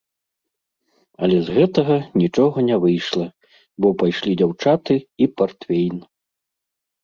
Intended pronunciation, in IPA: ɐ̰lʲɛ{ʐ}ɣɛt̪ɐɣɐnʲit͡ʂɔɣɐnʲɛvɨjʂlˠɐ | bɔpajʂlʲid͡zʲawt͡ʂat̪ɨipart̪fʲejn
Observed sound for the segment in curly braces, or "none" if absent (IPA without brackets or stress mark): z